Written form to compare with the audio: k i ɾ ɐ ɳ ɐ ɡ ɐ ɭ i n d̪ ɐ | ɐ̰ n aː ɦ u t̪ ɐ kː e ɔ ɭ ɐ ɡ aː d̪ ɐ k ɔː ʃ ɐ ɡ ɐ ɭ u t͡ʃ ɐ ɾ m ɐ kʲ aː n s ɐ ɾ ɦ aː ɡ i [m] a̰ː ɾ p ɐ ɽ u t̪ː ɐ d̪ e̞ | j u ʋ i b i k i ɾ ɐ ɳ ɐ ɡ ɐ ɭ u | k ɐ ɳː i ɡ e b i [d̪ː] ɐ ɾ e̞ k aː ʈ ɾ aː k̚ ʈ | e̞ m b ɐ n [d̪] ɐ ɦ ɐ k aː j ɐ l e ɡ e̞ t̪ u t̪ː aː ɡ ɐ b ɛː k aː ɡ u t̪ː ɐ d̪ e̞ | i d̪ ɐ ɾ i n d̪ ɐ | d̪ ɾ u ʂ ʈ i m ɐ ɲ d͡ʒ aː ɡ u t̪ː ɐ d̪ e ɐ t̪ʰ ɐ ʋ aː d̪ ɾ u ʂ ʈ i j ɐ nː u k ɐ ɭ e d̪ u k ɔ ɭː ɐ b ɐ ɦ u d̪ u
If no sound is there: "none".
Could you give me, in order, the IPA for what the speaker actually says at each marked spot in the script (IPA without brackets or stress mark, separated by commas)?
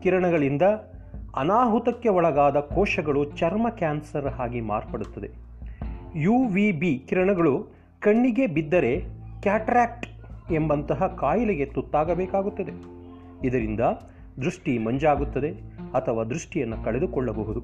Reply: m, d̪ː, t̪